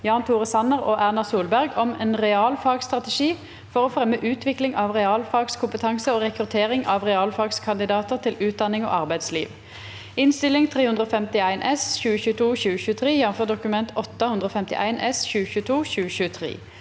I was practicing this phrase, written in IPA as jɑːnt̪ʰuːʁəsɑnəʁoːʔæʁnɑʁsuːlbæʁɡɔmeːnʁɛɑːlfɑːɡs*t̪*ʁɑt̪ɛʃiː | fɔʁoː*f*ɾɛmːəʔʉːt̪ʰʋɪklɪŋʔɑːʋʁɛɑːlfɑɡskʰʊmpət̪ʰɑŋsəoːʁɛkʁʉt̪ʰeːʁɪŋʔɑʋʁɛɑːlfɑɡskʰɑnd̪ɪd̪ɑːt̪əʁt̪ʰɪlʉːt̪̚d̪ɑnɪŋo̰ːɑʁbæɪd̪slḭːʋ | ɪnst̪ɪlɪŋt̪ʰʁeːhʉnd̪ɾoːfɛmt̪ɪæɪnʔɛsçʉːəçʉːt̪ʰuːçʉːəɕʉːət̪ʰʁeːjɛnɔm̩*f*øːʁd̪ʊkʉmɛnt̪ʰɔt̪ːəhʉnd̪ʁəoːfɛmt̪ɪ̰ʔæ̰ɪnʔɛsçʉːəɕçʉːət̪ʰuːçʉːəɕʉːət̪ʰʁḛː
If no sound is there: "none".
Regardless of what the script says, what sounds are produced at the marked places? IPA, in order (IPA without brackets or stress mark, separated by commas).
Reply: t̪, f, f